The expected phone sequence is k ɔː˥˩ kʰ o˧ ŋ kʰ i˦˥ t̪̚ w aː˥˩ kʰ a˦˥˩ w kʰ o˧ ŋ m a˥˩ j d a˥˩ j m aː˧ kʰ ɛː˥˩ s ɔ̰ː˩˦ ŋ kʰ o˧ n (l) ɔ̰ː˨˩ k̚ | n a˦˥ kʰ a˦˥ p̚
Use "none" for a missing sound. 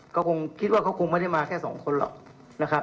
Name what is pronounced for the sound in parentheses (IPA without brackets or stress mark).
l